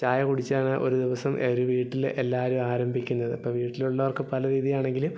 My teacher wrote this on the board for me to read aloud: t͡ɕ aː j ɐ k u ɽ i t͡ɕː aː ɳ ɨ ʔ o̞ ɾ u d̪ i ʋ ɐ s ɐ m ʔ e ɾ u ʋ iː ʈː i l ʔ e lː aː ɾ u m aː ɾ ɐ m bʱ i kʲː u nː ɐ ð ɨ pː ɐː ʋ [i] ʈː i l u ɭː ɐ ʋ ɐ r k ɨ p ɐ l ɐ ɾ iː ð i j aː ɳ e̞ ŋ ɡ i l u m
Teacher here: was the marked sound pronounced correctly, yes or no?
no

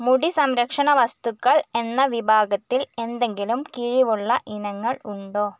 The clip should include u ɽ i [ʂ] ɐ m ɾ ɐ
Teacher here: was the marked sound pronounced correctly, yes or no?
no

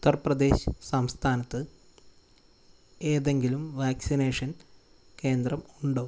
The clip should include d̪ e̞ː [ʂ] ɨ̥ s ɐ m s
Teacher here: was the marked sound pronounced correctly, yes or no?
no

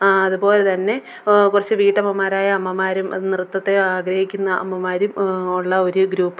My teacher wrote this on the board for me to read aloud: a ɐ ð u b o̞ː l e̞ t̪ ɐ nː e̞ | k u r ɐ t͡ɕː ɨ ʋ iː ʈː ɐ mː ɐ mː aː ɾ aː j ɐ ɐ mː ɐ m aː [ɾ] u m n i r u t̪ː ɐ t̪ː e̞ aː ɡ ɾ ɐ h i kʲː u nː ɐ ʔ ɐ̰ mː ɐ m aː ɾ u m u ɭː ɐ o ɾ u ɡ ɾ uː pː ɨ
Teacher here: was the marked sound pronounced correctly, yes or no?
yes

